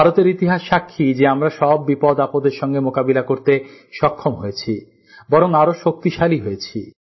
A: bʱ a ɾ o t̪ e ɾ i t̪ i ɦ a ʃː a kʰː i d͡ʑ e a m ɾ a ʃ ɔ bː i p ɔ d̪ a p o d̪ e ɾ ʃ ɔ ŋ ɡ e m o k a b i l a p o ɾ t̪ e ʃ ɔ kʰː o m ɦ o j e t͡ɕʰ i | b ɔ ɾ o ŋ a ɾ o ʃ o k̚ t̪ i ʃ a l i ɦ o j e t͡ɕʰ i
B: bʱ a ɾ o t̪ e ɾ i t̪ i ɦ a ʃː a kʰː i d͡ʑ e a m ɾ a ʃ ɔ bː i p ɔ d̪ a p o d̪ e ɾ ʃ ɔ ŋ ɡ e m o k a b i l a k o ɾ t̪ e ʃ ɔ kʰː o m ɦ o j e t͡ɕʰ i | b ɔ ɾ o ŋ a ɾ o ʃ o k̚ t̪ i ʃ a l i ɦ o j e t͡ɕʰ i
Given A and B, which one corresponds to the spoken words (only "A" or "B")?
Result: B